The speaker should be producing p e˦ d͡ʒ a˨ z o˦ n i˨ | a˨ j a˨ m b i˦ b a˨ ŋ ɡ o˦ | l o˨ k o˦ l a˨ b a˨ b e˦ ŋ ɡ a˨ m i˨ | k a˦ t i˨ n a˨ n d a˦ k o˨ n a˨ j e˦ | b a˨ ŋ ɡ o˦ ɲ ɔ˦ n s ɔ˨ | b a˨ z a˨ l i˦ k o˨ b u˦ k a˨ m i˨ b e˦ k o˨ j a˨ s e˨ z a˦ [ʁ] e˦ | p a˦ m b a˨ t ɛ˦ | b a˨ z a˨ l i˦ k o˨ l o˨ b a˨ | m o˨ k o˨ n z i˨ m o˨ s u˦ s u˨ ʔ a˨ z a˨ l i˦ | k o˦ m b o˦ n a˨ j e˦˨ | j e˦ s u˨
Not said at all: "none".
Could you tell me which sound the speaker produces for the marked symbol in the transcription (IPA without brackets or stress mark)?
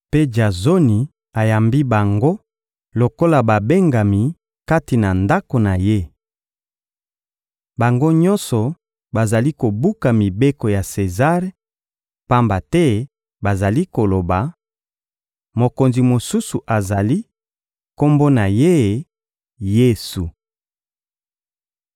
ʁ